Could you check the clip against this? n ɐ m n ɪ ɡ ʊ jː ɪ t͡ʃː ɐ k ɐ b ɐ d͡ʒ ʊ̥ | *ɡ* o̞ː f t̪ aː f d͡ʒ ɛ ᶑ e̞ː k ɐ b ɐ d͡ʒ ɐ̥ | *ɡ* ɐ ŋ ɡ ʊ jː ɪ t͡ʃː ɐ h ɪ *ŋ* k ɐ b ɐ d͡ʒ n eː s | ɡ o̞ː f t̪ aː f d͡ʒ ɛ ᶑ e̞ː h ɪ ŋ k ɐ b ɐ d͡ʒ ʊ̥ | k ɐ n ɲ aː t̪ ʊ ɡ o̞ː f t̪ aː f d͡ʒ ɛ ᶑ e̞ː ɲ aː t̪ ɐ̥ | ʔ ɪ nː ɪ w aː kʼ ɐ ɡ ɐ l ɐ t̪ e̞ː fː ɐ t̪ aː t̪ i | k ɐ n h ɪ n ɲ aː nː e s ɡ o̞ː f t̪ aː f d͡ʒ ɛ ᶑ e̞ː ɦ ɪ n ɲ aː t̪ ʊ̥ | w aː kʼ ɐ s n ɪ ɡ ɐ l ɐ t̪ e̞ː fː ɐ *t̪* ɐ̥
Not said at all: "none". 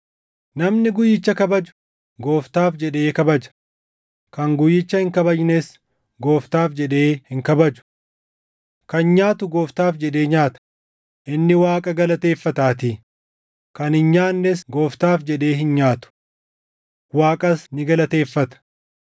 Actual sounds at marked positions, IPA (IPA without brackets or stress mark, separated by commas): ɡ, k, ŋ, t̪